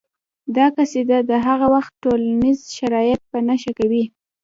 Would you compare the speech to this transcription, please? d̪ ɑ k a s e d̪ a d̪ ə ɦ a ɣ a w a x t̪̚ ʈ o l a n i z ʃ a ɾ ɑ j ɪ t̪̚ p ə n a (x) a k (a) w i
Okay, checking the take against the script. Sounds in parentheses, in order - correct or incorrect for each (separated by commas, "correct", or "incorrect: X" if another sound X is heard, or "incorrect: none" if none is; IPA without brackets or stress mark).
incorrect: ʃ, correct